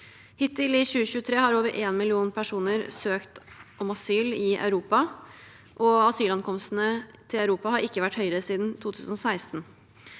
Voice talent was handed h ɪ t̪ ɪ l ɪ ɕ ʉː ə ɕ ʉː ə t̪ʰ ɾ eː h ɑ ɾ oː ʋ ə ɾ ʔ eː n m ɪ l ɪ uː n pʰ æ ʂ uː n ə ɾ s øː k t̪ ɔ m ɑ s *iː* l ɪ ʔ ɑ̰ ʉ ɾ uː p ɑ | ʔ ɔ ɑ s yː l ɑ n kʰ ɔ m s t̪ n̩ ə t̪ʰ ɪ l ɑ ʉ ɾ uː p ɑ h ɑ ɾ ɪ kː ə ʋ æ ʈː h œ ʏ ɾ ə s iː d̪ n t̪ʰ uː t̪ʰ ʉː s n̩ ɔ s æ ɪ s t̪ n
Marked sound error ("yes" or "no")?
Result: yes